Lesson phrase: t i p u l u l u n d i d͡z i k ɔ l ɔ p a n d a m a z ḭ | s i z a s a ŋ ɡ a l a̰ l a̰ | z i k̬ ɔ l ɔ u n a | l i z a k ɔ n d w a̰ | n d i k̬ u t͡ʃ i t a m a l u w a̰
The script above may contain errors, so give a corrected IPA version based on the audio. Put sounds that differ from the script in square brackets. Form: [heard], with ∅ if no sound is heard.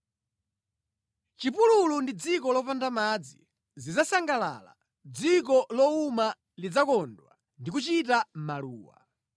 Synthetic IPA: [t͡ʃ] i p u l u l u n d i d͡z i k ɔ l ɔ p a n d a m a [d͡z] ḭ | [z] i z a s a ŋ ɡ a l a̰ l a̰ | [d͡z] i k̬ ɔ l ɔ u [m] a | l i [d͡z] a k ɔ n d w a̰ | n d i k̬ u t͡ʃ i t a m a l [uː] w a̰